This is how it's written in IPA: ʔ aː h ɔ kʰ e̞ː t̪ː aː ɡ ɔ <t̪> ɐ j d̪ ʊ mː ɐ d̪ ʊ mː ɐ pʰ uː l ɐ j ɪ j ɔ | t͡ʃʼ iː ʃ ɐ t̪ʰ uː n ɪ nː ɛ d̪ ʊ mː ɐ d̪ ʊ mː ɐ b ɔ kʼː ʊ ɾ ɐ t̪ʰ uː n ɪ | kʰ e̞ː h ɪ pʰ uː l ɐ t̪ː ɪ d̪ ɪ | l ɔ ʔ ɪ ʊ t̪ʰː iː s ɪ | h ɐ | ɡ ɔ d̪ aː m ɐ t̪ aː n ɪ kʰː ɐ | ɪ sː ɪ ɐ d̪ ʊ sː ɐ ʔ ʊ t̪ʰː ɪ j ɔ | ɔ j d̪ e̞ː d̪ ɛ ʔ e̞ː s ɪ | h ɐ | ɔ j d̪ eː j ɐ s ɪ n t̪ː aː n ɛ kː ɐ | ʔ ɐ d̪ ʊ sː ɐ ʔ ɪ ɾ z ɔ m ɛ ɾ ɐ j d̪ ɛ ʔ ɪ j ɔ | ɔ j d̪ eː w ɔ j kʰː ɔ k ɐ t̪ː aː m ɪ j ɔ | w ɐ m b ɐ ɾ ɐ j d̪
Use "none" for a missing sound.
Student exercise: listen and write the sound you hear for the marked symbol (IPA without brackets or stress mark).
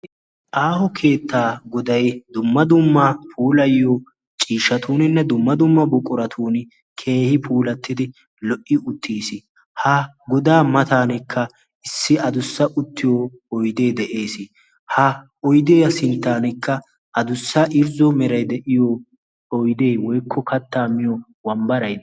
d̪